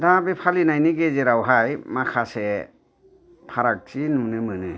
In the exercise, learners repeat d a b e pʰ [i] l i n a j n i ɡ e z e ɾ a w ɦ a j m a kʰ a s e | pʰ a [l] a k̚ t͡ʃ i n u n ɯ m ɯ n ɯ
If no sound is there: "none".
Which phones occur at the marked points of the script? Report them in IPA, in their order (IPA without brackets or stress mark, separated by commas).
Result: a, ɾ